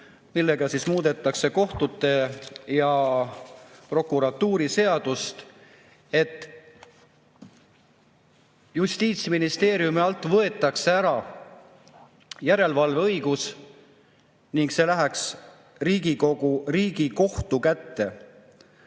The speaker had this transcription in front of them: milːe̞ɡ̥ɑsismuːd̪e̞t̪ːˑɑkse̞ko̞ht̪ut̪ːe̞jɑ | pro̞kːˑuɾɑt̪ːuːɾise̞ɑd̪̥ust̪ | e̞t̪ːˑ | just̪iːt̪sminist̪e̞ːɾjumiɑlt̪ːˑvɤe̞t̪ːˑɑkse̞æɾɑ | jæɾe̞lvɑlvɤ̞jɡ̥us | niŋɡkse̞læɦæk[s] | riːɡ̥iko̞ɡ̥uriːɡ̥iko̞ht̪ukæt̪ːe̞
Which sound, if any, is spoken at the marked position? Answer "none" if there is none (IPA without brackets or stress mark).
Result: s